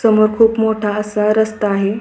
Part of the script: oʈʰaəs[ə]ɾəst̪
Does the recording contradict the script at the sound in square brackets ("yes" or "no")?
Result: yes